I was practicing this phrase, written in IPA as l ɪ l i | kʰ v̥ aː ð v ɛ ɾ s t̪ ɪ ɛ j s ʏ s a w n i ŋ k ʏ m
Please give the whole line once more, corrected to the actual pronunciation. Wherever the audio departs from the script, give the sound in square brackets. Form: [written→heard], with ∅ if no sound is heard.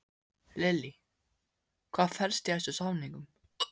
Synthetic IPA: l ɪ l i | kʰ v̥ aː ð [v→f] ɛ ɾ s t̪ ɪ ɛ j s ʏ s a w n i ŋ k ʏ m